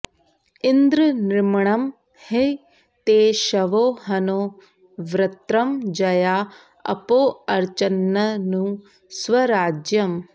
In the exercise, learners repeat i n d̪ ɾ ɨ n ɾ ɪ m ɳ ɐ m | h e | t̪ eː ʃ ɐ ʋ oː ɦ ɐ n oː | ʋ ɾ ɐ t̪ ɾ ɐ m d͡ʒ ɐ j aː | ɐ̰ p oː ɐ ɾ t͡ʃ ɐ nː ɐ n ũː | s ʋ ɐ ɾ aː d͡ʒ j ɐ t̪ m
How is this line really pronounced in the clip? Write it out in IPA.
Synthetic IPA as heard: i n d̪ ɾ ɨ n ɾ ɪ m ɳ ɐ m | h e | t̪ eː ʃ ɐ ʋ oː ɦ ɐ n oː | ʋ ɾ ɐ t̪ ɾ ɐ m d͡ʒ ɐ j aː | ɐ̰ p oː ɐ ɾ t͡ʃ ɐ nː ɐ n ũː | s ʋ ɐ ɾ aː d͡ʒ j ɐ m